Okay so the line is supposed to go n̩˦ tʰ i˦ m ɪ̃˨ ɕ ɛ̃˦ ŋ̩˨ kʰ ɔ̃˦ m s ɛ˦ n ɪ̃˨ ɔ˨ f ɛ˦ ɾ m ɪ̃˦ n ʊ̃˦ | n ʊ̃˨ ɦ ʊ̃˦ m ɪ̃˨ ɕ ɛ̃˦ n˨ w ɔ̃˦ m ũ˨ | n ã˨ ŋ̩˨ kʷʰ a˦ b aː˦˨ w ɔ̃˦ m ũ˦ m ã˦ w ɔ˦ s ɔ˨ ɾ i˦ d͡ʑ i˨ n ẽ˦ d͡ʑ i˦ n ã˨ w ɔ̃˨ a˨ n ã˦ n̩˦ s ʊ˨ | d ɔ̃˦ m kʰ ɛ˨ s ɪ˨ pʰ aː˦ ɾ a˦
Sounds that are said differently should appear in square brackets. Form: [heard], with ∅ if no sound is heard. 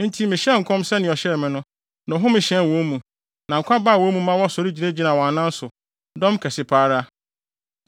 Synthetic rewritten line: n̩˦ tʰ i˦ m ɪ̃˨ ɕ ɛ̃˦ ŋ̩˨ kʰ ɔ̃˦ m s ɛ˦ n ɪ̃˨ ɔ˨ [ɕ] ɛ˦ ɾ m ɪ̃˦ n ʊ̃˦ | n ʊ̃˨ ɦ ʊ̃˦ m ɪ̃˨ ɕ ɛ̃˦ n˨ w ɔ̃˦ m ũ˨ | n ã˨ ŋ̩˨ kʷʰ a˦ b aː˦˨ w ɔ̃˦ m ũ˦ m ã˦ w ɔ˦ s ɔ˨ ɾ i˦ d͡ʑ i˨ n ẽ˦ d͡ʑ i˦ n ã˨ w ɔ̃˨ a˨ n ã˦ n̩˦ s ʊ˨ | d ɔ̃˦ m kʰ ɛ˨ s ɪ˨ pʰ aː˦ ɾ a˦